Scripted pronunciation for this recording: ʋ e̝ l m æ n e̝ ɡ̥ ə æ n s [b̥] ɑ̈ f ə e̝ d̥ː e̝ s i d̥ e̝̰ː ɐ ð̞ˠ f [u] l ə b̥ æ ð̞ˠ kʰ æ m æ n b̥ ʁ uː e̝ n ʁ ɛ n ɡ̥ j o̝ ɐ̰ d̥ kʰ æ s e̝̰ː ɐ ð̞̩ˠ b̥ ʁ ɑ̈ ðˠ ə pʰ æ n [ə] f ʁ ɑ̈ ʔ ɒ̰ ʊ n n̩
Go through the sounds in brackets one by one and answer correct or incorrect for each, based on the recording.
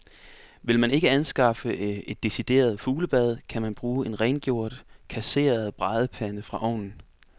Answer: incorrect, incorrect, correct

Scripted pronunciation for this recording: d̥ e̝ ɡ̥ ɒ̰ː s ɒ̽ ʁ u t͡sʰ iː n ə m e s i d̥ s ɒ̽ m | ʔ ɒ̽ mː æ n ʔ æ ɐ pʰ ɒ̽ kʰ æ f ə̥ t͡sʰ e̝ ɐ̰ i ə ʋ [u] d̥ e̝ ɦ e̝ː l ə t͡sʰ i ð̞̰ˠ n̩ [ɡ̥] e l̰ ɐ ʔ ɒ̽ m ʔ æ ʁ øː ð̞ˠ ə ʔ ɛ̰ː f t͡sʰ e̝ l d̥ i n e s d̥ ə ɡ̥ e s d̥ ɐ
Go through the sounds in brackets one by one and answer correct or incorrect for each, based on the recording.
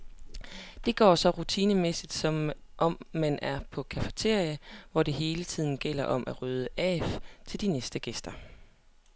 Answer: incorrect, correct

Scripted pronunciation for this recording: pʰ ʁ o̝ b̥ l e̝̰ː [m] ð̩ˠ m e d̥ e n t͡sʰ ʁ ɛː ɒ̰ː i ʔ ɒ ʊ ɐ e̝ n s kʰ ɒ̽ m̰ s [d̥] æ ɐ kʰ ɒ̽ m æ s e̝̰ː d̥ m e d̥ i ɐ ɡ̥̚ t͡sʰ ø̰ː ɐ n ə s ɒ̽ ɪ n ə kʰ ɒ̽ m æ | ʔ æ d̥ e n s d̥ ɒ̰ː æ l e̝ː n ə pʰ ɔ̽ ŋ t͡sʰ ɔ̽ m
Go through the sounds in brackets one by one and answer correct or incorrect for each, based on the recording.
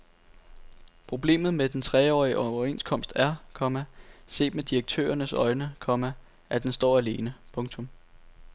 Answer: correct, correct

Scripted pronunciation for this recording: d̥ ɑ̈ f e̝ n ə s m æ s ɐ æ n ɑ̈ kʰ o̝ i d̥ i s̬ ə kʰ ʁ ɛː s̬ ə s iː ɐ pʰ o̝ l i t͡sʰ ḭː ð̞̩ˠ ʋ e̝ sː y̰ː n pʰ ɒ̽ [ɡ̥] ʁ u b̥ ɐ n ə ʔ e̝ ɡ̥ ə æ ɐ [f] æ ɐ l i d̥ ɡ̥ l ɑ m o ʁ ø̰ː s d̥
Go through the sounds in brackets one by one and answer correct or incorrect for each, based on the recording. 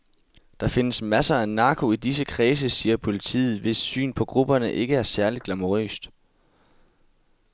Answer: correct, incorrect

